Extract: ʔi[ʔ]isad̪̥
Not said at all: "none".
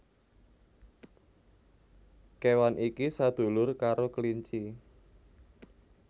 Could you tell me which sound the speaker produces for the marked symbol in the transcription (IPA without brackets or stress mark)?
k